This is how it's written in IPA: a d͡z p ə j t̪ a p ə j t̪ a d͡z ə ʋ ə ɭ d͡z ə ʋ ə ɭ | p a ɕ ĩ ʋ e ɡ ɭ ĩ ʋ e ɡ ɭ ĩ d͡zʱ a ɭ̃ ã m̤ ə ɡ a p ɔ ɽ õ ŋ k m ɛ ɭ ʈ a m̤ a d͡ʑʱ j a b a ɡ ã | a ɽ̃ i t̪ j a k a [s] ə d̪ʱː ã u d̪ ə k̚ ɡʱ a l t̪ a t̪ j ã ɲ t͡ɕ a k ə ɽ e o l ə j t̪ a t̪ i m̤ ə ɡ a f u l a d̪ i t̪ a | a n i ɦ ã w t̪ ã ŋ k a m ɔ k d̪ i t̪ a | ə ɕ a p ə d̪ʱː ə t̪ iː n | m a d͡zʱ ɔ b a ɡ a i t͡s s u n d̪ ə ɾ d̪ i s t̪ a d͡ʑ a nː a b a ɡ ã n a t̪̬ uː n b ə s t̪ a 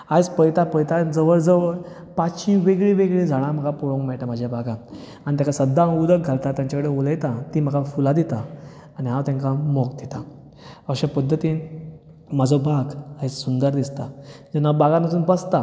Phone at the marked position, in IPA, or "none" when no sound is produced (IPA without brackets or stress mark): s